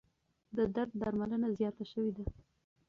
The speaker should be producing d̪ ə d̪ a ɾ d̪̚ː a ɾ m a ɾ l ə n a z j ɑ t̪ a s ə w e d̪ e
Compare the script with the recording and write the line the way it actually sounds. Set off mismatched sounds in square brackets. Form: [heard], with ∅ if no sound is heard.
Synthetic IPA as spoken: d̪ ə d̪ a ɾ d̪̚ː a ɾ m a [∅] l ə n a z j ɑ t̪ a [ʃ] ə w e d̪ [a]